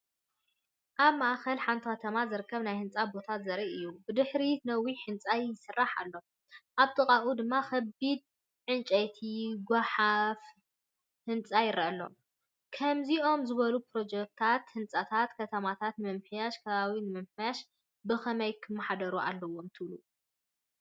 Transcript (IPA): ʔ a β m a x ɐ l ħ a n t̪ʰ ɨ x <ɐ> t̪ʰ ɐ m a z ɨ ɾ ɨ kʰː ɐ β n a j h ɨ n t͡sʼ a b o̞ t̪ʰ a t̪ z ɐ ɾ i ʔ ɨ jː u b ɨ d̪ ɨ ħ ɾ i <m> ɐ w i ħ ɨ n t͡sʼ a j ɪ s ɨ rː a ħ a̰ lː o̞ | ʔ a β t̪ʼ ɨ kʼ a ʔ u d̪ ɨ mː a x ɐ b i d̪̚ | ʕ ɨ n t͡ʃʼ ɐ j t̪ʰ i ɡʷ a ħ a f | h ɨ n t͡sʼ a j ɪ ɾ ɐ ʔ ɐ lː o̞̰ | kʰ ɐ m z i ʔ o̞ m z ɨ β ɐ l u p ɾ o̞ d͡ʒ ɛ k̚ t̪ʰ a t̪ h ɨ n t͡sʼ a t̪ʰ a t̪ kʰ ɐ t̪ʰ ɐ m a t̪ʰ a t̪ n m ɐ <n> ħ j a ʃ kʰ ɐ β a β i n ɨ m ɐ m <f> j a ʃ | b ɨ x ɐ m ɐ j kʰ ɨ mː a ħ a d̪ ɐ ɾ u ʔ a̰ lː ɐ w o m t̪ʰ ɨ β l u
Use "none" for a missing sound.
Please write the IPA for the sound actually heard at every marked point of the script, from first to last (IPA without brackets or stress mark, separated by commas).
ɐ, n, m, ħ